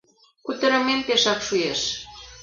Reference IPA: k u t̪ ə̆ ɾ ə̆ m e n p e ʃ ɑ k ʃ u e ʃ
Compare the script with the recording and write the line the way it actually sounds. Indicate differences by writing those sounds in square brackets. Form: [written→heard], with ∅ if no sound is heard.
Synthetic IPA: k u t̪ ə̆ ɾ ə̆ m e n p e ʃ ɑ k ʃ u e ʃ

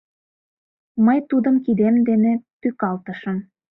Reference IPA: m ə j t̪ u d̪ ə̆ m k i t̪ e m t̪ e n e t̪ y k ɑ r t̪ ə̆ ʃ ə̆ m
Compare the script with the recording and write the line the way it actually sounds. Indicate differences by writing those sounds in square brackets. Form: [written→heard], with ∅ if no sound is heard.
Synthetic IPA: m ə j t̪ u d̪ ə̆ m k i [t̪→d̪] e m [t̪→d̪] e n e t̪ y k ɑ [r→l] t̪ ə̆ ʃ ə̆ m

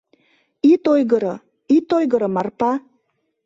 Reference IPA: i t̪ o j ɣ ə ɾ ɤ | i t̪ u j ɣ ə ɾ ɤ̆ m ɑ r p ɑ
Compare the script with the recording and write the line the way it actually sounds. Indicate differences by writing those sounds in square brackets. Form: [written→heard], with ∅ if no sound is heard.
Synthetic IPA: i t̪ o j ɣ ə ɾ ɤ | i t̪ [u→o] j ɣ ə ɾ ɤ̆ m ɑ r p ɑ

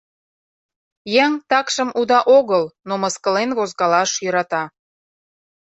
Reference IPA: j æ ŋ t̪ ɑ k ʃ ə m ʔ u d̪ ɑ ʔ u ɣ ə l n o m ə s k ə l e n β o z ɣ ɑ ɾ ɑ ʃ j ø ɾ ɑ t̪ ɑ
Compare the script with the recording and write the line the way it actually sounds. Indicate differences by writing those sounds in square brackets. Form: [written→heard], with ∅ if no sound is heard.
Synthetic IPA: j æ ŋ t̪ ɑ k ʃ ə m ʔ u d̪ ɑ ʔ [u→o] ɣ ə l n o m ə s k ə l e n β o z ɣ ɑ [ɾ→l] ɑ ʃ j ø ɾ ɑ t̪ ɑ

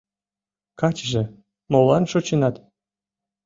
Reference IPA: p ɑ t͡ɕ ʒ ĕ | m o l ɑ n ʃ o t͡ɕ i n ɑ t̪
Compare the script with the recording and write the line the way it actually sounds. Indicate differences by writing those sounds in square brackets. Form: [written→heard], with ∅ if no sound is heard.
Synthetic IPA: [p→k] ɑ t͡ɕ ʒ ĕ | m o l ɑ n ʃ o t͡ɕ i n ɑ t̪

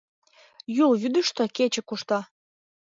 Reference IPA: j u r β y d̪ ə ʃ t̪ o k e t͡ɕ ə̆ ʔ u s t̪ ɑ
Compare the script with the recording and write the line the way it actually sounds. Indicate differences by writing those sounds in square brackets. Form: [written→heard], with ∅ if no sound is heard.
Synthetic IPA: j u [r→l] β y d̪ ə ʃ t̪ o k e t͡ɕ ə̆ [ʔ→k] u [s→ʃ] t̪ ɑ

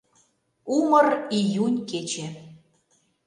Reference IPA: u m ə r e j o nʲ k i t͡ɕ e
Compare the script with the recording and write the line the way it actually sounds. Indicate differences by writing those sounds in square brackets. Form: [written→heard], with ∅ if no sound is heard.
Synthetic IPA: u m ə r [e→i] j [o→u] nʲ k [i→e] t͡ɕ e

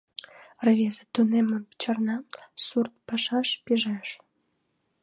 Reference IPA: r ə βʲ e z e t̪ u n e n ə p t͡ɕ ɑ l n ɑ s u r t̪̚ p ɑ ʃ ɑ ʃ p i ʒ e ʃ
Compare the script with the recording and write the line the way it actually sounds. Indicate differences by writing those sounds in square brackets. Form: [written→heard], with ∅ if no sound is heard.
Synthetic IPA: r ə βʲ e z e t̪ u n e [n→m] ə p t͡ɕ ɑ [l→r] n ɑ s u r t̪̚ p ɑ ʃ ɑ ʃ p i ʒ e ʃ

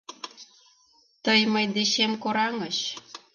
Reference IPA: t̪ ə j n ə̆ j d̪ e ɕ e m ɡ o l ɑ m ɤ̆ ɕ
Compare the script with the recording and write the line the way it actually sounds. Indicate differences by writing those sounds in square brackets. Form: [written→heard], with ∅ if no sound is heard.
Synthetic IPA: t̪ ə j [n→m] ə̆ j d̪ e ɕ e m [ɡ→k] o [l→ɾ] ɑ [m→ŋ] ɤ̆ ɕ

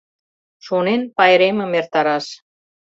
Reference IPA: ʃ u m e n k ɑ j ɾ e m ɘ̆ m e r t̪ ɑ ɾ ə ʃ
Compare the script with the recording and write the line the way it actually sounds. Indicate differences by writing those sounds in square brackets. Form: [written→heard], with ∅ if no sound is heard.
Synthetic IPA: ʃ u [m→n] e n [k→p] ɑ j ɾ e m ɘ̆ m e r t̪ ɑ ɾ [ə→ɑ] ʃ

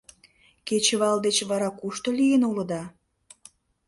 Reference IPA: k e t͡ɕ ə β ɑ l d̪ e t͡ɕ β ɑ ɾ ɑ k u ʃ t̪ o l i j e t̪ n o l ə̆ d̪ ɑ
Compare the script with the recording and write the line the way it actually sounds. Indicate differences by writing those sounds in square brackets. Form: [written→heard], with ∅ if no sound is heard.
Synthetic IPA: k e t͡ɕ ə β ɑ l d̪ e t͡ɕ β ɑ ɾ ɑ k u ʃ t̪ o l i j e [t̪→∅] n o l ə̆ d̪ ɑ

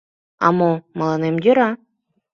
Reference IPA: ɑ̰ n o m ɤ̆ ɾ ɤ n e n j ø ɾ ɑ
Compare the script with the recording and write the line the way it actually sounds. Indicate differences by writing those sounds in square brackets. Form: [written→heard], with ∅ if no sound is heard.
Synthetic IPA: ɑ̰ [n→m] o m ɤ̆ [ɾ→l] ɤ n e [n→m] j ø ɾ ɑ

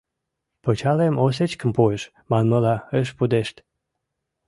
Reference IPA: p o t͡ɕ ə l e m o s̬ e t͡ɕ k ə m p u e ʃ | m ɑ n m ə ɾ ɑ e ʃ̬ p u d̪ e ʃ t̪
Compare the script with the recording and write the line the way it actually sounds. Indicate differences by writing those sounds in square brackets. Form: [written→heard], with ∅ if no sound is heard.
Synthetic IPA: p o t͡ɕ [ə→ɑ] l e m o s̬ e t͡ɕ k ə m p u e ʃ | m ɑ n m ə [ɾ→l] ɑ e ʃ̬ p u d̪ e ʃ t̪

